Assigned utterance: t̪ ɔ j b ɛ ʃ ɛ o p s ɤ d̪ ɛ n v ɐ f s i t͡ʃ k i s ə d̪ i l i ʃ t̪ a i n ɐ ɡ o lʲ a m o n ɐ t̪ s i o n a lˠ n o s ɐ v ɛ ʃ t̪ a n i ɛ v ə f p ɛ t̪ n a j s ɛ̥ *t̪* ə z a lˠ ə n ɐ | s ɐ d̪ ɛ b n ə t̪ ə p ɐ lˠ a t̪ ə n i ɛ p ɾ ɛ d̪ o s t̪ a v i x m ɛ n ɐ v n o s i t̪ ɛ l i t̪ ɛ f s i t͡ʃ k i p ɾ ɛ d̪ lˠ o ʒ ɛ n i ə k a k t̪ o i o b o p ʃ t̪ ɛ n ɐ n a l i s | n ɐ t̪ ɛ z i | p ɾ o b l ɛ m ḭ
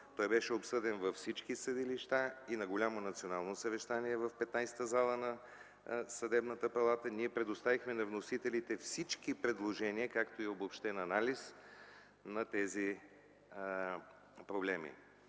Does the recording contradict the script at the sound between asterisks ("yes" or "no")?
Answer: no